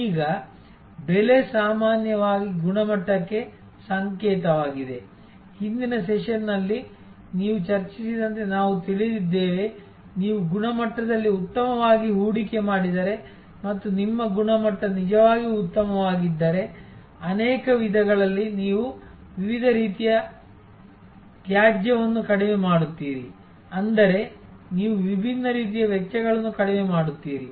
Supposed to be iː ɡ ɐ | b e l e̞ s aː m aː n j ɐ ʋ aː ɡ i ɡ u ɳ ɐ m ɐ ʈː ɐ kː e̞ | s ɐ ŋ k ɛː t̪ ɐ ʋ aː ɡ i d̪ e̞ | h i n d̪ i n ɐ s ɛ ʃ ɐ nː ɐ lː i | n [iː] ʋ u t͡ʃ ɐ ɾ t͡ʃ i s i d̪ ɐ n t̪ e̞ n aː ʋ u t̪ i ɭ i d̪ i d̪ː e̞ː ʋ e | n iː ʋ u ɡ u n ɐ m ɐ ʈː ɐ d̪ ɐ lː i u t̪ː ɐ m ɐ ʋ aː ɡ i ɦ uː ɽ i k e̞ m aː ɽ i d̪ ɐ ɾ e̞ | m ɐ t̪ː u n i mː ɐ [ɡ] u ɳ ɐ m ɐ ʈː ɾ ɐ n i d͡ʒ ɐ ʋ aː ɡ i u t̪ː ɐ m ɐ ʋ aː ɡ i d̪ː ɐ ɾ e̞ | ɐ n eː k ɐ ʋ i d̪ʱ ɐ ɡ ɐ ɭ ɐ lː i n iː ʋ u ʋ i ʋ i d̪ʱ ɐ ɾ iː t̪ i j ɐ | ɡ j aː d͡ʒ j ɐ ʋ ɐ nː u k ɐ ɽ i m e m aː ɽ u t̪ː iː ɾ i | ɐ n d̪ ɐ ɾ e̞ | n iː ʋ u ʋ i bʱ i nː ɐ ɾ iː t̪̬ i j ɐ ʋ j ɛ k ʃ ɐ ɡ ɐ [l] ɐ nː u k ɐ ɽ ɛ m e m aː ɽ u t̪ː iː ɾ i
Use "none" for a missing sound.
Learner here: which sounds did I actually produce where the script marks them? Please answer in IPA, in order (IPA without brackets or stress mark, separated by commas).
iː, ɡ, ɭ